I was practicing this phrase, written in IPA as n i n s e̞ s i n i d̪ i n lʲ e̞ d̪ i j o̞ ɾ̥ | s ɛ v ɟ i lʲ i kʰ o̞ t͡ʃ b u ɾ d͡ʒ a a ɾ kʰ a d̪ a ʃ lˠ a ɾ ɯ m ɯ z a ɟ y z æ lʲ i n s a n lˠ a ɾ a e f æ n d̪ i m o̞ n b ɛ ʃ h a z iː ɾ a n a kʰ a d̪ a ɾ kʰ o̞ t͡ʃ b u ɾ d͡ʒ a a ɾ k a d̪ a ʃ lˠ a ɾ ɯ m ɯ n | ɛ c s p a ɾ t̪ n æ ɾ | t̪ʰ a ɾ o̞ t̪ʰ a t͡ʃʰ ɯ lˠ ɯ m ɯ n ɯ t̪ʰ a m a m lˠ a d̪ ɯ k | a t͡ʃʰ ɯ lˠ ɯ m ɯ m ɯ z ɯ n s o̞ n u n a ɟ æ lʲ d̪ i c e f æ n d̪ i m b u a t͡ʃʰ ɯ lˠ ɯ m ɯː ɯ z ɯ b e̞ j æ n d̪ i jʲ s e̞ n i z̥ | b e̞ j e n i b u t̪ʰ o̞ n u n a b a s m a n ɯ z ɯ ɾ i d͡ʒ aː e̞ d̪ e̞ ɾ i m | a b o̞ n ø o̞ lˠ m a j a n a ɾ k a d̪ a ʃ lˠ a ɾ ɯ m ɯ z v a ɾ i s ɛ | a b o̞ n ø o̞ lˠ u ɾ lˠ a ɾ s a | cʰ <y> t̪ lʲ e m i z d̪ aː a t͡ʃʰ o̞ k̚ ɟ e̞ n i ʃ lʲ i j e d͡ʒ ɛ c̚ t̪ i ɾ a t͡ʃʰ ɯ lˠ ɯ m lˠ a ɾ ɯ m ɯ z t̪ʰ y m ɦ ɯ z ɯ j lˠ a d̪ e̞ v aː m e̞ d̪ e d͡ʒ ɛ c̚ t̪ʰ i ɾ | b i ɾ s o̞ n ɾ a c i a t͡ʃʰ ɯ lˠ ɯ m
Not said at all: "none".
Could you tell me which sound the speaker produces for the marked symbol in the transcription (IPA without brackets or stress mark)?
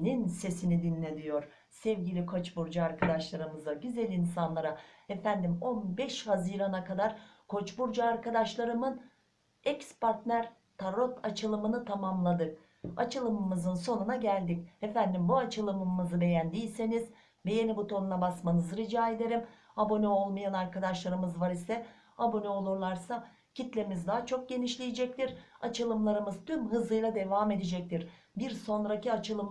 i